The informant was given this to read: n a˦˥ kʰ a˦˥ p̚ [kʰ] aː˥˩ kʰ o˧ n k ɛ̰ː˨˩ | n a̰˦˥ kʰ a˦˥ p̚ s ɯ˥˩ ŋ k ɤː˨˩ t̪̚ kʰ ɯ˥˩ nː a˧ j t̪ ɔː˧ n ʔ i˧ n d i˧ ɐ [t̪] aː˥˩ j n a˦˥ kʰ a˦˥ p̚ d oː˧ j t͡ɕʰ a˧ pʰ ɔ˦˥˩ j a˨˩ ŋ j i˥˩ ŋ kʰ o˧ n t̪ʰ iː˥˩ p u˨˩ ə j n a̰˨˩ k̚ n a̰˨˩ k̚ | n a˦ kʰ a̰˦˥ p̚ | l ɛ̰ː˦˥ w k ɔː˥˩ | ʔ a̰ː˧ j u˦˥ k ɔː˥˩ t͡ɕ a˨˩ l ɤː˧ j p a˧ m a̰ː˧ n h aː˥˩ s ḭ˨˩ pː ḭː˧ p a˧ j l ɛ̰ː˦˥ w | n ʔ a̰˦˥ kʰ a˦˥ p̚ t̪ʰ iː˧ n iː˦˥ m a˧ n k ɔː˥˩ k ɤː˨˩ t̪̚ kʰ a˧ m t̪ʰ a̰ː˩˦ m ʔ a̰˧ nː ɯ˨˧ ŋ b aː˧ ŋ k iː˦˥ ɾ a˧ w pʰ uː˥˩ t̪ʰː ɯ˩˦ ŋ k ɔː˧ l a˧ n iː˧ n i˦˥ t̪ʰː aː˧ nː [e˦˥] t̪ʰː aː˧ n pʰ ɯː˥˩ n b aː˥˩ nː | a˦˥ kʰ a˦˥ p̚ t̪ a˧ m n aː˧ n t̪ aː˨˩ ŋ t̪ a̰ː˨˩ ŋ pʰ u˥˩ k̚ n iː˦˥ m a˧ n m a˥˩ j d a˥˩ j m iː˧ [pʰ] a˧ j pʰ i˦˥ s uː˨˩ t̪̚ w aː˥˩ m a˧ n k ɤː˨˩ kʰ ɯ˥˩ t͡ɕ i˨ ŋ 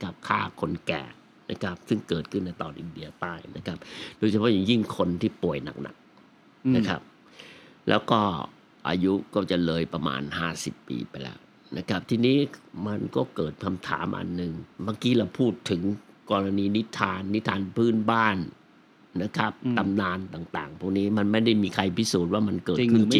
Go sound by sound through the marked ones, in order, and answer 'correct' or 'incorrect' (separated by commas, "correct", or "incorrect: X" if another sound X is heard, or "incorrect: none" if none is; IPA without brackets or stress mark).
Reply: correct, correct, incorrect: i˦˥, incorrect: kʰ